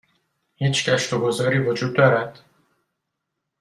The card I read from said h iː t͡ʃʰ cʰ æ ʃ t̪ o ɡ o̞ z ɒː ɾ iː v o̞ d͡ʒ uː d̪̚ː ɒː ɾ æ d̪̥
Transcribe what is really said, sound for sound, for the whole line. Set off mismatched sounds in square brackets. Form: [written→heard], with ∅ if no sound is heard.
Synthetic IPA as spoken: h iː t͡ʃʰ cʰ æ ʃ t̪ o ɡ o̞ z ɒː ɾ iː v o̞ d͡ʒ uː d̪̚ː ɒː ɾ æ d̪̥